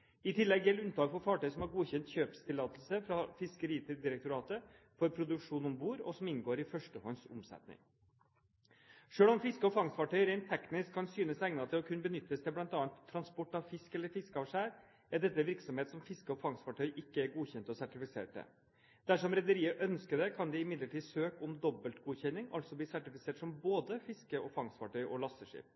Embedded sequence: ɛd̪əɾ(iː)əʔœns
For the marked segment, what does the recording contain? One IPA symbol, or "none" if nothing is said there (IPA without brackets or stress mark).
iː